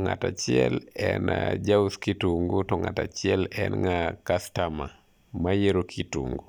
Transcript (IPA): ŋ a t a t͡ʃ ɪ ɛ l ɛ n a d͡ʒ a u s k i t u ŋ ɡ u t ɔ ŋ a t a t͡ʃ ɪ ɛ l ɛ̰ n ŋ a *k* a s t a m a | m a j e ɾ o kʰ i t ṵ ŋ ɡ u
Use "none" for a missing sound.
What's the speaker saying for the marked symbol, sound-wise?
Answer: k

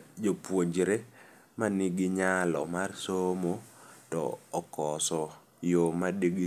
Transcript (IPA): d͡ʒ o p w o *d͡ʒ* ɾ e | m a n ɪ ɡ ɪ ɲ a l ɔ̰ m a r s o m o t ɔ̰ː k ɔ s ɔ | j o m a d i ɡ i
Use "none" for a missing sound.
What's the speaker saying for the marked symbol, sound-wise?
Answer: d͡ʒ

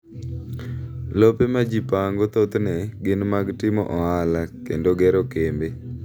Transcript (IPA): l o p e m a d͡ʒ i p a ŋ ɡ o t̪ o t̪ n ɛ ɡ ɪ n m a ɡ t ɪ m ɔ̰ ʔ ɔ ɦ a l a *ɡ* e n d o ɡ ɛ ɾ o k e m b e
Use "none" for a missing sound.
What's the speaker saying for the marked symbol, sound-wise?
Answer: k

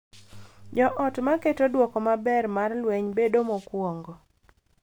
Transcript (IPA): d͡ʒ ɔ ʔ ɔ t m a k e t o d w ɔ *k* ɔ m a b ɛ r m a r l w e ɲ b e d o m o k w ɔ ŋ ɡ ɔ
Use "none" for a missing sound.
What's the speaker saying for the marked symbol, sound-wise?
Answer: k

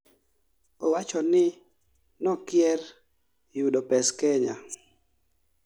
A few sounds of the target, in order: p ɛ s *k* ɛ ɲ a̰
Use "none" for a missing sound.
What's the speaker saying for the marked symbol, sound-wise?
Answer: k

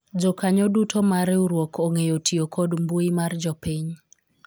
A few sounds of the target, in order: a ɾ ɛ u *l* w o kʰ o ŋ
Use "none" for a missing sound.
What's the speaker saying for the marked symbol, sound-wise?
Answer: ɾ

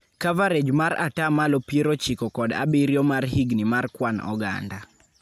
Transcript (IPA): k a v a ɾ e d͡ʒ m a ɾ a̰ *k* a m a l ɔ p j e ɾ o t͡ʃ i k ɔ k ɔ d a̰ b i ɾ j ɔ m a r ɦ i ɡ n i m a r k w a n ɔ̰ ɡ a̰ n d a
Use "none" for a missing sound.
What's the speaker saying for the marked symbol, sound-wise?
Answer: t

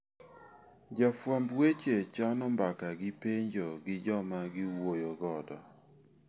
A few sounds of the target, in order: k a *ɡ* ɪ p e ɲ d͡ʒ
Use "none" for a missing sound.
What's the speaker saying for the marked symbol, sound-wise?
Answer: ɡ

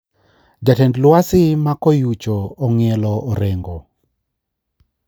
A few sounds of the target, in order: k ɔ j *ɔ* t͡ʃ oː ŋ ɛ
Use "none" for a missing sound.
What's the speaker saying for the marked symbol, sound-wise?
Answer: u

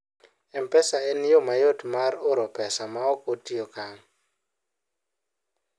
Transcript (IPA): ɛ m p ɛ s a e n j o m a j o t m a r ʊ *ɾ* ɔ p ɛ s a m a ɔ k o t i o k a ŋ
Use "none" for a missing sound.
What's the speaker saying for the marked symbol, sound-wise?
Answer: ɾ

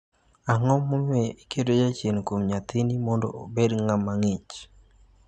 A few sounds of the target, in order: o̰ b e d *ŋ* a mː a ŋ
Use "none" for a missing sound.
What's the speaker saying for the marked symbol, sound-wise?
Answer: ŋ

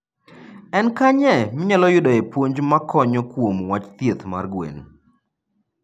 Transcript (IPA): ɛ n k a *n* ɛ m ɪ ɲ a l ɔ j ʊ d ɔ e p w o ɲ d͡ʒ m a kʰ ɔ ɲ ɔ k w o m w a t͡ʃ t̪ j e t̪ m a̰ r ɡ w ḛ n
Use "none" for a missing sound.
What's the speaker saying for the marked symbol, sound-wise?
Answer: ɲ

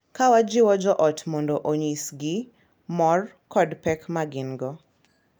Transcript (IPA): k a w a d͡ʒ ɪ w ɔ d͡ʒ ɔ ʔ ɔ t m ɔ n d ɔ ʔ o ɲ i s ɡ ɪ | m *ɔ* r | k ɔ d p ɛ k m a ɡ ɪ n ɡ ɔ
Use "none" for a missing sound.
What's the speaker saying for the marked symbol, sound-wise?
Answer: ɔ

